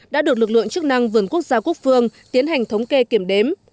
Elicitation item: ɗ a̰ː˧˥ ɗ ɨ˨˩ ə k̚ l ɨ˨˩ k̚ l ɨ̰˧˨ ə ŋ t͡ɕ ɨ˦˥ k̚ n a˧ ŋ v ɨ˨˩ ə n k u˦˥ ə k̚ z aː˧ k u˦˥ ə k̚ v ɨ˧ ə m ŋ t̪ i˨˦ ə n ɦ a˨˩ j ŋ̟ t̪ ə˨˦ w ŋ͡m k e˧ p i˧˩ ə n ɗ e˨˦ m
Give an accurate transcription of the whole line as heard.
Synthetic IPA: ɗ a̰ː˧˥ ɗ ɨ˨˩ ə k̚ l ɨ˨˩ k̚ l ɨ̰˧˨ ə ŋ t͡ɕ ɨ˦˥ k̚ n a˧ ŋ v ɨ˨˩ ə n k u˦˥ ə k̚ z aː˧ k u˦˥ ə k̚ f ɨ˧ ə ŋ t̪ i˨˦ ə n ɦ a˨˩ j ŋ̟ t̪ʰ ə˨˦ w ŋ͡m k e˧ k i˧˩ ə m ɗ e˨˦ m

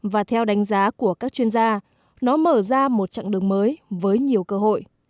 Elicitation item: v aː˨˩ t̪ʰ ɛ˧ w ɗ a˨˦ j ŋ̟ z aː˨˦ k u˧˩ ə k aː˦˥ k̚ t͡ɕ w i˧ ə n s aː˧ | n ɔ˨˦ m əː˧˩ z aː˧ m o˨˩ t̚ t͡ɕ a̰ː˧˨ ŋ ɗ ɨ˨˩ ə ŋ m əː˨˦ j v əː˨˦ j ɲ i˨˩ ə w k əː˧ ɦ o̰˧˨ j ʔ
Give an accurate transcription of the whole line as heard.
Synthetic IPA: v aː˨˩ t̪ʰ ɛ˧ w ɗ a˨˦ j ŋ̟ z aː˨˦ k u˧˩ ə k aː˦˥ k̚ t͡ɕ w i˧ ə n z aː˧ | n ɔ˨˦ m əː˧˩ z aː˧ m o˨˩ t̚ t͡ɕ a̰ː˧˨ ŋ ɗ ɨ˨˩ ə ŋ m əː˨˦ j v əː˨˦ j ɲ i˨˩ ə w k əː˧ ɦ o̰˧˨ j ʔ

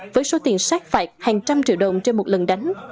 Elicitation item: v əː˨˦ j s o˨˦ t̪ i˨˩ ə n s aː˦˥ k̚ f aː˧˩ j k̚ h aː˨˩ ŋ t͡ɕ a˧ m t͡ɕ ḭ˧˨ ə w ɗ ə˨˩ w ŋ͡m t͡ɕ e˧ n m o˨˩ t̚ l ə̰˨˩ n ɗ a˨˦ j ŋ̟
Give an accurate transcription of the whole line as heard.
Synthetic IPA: v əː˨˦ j s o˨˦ t̪ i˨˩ ə n s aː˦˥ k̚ f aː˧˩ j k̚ h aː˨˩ ŋ t͡ɕ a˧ m t͡ɕ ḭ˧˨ ə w ɗ ə˨˩ w ŋ͡m t͡ɕ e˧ n m o˨˩ t̚ l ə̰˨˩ n ɗ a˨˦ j ŋ̟

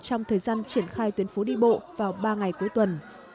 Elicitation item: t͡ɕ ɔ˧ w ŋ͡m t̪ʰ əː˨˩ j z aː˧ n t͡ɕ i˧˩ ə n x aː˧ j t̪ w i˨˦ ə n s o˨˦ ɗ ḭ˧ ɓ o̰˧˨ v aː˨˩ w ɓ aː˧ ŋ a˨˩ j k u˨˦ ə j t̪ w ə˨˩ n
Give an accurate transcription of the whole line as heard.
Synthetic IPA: t͡ɕ ɔ˧ w ŋ͡m t̪ʰ əː˨˩ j z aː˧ n t͡ɕ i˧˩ ə n x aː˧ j t̪ w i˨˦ ə n f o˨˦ ɗ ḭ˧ ɓ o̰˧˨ v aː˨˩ w ɓ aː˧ ŋ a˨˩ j k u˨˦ ə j t̪ w ə˨˩ n

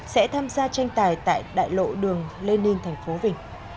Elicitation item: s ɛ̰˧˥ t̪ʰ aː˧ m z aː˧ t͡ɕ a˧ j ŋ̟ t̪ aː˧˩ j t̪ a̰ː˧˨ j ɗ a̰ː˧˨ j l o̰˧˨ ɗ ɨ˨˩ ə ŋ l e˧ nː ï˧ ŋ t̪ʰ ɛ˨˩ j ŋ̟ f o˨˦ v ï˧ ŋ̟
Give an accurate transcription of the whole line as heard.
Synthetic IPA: s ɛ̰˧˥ t̪ʰ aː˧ m z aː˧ t͡ɕ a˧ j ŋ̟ t̪ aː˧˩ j t̪ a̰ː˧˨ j ɗ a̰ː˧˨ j l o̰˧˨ ɗ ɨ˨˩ ə ŋ l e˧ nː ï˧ ŋ t̪ʰ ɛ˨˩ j ŋ̟ f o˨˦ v ï˨˩ ŋ̟

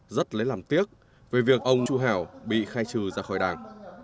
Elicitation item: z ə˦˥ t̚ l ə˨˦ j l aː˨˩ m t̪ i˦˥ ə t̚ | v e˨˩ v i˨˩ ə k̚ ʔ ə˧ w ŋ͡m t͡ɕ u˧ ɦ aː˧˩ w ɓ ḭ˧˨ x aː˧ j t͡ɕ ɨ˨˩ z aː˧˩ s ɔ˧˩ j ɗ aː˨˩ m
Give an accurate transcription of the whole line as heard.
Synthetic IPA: z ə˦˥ t̚ l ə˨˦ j l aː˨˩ m t̪ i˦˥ ə k̚ | v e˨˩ v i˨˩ ə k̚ ʔ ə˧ w ŋ͡m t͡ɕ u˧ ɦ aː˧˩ w ɓ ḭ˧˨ x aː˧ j t͡ɕ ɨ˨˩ z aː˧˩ x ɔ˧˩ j ɗ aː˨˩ ŋ

